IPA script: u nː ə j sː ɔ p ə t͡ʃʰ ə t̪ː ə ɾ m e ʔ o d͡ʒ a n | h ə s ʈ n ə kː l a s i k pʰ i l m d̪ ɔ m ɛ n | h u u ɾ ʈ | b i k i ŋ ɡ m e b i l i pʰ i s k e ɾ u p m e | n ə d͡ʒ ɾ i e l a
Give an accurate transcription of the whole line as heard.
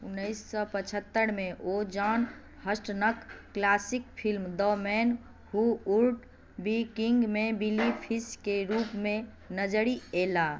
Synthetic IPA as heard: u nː ə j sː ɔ p ə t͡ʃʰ ə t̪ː ə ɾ m e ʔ o d͡ʒ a n | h ə s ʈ n ə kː l a s i k pʰ i l m d̪ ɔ m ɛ n | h u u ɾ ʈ | b i k i ŋ ɡ m e b i l i pʰ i s k e ɾ u p m e | n ə d͡ʒ ɾ i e l a

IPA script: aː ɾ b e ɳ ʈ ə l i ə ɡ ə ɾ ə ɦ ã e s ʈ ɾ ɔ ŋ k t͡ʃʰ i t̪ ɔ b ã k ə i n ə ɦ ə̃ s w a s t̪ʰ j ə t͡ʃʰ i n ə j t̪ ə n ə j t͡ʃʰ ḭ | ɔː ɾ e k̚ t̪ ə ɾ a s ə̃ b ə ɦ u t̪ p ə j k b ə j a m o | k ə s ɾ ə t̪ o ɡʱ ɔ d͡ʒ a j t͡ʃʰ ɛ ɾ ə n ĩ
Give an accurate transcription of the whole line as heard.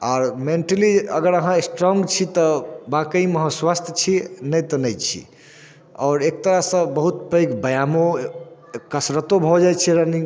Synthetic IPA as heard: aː ɾ m e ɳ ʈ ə l i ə ɡ ə ɾ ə ɦ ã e s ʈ ɾ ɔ ŋ ɡ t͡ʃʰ i t̪ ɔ b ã k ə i m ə ɦ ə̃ s w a s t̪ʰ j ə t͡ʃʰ i n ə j t̪ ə n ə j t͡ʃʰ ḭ | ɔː ɾ e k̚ t̪ ə ɾ a s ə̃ b ə ɦ u t̪ p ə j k b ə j a m o | k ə s ɾ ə t̪ o bʱ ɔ d͡ʒ a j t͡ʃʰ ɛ ɾ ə n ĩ

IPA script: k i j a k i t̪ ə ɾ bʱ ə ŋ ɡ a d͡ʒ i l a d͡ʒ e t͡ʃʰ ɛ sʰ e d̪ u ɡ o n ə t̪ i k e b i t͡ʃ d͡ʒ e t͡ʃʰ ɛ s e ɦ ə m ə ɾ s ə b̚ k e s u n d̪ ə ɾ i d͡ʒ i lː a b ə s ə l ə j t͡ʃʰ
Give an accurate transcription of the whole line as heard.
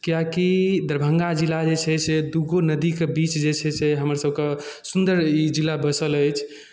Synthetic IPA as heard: k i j a k i d̪ ə ɾ bʱ ə ŋ ɡ a d͡ʒ i l a d͡ʒ e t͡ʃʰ ɛ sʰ e d̪ u ɡ o n ə d̪ i k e b i t͡ʃ d͡ʒ e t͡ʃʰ ɛ s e ɦ ə m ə ɾ s ə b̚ k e s u n d̪ ə ɾ i d͡ʒ i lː a b ə s ə l ə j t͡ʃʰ

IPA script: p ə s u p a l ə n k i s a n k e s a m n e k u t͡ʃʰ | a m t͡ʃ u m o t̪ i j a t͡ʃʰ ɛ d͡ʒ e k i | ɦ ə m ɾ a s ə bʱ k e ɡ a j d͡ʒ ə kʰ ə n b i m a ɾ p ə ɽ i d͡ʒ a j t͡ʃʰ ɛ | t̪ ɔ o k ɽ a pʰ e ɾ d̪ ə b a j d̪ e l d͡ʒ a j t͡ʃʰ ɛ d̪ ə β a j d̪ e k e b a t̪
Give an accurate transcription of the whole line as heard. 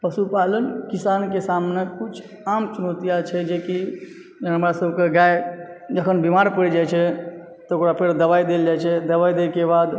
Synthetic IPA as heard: p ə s u p a l ə n k i s a n k e s a m n e k u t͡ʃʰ | a m t͡ʃ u n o t̪ i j a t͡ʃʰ ɛ d͡ʒ e k i | ɦ ə m ɾ a s ə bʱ k e ɡ a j d͡ʒ ə kʰ ə n b i m a ɾ p ə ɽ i d͡ʒ a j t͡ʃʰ ɛ | t̪ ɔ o k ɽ a pʰ e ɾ d̪ ə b a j d̪ e l d͡ʒ a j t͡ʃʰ ɛ d̪ ə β a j d̪ e k e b a d̪

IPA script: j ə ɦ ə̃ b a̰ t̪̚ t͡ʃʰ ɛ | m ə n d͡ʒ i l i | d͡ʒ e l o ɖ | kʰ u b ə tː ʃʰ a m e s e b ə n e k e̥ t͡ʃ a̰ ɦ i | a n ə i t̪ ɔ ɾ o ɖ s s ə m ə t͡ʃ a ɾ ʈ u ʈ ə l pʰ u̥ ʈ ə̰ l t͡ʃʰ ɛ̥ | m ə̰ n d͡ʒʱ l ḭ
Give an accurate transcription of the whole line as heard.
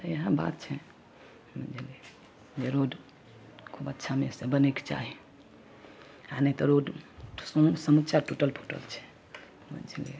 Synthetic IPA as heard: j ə ɦ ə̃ b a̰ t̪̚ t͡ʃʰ ɛ | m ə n d͡ʒ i l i | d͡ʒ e ɾ o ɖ | kʰ u b ə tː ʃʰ a m e s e b ə n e k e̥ t͡ʃ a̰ ɦ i | a n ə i t̪ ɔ ɾ o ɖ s s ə m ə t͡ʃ a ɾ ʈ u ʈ ə l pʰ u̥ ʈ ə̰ l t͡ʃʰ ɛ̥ | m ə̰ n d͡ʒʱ l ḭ

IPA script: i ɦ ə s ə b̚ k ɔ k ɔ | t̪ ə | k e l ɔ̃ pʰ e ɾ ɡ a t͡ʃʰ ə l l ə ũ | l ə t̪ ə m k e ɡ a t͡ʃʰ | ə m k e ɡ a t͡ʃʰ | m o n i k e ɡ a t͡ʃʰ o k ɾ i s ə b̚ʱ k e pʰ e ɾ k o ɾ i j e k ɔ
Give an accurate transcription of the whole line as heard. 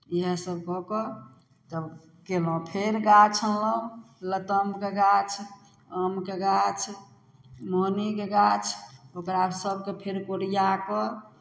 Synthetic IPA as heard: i ɦ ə s ə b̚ k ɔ k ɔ | t̪ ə | k e l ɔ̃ pʰ e ɾ ɡ a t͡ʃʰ ə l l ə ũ | l ə t̪ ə m k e ɡ a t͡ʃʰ | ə m k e ɡ a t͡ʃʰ | m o n i k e ɡ a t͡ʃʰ o k ɾ a s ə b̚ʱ k e pʰ e ɾ k o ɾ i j a k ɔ

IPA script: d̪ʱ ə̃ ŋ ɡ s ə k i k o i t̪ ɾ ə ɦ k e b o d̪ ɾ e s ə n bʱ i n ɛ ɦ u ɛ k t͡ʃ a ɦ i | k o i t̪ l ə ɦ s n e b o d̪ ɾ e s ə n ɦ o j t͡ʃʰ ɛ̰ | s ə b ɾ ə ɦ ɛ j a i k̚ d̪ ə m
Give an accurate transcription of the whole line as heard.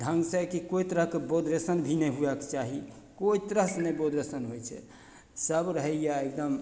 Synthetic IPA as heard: d̪ʱ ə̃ ŋ ɡ s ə k i k o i t̪ ɾ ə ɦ k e b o d̪ ɾ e s ə n bʱ i n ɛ ɦ u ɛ k t͡ʃ a ɦ i | k o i t̪ ɾ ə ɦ s n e b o d̪ ɾ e s ə n ɦ o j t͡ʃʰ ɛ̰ | s ə b ɾ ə ɦ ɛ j a e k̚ d̪ ə m

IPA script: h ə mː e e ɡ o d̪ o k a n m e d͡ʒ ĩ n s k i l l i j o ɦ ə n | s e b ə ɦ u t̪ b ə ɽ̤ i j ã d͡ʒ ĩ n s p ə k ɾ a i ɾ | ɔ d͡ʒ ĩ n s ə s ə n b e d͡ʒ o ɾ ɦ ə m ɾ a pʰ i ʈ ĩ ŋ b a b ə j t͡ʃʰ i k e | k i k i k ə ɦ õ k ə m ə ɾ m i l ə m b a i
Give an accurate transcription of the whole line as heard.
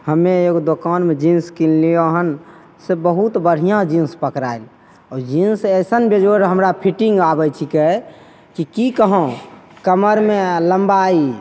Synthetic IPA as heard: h ə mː e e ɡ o d̪ o k a n m e d͡ʒ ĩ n s k i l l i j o ɦ ə n | s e b ə ɦ u t̪ b ə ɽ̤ i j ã d͡ʒ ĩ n s p ə k ɾ a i l | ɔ d͡ʒ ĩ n s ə s ə n b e d͡ʒ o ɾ ɦ ə m ɾ a pʰ i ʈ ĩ ŋ ɡ a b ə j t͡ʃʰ i k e | k i k i k ə ɦ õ k ə m ə ɾ m e l ə m b a i

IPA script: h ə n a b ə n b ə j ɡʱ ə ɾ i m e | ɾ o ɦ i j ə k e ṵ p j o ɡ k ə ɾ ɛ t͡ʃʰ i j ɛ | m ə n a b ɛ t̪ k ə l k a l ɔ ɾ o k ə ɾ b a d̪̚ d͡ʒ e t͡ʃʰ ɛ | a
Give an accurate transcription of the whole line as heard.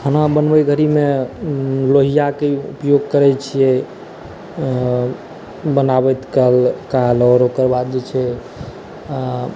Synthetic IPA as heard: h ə n a b ə n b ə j ɡʱ ə ɾ i m e | l o ɦ i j a k e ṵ p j o ɡ k ə ɾ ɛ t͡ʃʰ i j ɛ | b ə n a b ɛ t̪ k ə l k a l ɔ ɾ o k ə ɾ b a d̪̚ d͡ʒ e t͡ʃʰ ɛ | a

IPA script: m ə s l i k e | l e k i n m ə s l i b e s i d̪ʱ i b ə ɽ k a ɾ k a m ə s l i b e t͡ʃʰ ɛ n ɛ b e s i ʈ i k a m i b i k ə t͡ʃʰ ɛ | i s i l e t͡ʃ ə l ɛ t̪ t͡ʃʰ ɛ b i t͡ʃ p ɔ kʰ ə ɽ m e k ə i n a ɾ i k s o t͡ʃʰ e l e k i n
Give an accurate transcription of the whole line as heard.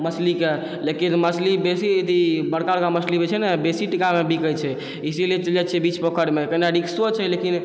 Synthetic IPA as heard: m ə s l i k e | l e k i n m ə s l i b e s i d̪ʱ i b ə ɽ k a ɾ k a m ə s l i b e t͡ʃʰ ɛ n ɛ b e s i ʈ i k a m e b i k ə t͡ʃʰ ɛ | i s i l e t͡ʃ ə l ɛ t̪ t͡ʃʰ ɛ b i t͡ʃ p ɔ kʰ ə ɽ m e k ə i n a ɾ i k s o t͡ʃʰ ɛ l e k i n

